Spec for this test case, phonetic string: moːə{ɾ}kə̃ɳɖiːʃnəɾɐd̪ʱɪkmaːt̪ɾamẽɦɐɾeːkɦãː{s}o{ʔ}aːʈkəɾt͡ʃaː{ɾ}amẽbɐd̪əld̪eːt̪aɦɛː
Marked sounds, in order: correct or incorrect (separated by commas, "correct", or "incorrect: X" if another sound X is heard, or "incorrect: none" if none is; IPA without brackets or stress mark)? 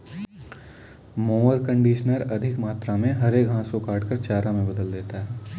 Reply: correct, correct, incorrect: k, correct